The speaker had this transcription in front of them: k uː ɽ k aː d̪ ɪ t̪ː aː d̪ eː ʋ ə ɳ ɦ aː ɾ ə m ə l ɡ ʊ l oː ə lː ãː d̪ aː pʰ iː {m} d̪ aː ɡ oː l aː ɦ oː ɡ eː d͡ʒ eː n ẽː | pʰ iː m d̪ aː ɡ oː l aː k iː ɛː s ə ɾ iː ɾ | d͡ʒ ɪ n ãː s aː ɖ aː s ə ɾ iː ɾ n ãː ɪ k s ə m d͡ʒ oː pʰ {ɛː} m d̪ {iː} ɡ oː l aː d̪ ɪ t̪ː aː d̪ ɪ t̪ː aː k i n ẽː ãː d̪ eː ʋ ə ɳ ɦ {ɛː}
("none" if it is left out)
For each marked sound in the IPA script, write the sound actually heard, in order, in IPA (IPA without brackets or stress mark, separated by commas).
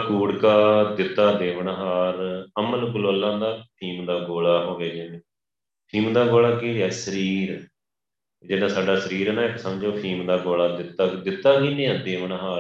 m, iː, aː, aː